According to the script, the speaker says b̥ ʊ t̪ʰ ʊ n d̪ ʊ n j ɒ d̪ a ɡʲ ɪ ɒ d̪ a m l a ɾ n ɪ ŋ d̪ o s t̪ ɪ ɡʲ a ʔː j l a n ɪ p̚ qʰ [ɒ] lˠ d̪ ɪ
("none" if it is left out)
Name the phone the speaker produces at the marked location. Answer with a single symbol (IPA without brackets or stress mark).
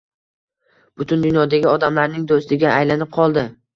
ɒ